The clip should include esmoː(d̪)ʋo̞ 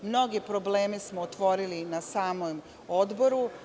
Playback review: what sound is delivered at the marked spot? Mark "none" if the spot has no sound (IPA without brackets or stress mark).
t̪